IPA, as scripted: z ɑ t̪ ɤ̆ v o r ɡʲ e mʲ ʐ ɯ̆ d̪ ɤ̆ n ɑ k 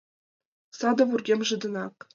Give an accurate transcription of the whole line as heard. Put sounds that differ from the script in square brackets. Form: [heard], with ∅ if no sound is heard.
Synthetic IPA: [s] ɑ [d̪] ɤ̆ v [u] r ɡʲ e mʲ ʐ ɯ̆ d̪ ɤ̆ n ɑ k